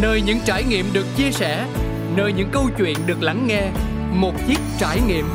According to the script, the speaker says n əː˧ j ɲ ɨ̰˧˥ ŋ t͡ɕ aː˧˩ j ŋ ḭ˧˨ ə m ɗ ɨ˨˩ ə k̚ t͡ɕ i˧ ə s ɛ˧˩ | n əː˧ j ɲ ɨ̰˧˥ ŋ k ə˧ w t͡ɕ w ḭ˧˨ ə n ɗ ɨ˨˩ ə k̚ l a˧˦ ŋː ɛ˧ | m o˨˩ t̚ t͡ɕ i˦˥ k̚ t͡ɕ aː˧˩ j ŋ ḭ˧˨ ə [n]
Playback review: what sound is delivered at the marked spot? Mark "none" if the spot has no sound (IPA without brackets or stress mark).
m